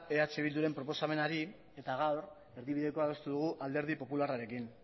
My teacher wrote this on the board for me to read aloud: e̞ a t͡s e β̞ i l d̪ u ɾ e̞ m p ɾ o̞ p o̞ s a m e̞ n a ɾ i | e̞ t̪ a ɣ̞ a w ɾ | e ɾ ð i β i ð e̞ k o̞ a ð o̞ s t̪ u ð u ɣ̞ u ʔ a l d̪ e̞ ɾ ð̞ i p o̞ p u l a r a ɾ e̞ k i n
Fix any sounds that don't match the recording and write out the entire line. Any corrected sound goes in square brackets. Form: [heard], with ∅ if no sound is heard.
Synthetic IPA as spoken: e̞ a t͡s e β̞ i l d̪ u ɾ e̞ m p ɾ o̞ p o̞ s a m e̞ n a ɾ i | e̞ t̪ a ɣ̞ a w ɾ | e ɾ ð i β i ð e̞ k o̞ a ð o̞ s t̪ u ð u ɣ̞ u ʔ a l d̪ e̞ ɾ ð̞ i p o̞ p u l a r a ɾ e̞ k i n